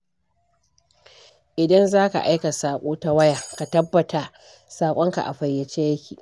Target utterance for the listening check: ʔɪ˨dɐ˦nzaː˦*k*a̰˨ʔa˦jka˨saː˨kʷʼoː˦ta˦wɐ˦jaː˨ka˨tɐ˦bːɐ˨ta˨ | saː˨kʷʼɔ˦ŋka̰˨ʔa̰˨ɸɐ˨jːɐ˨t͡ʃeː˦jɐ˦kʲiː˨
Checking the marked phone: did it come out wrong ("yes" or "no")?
no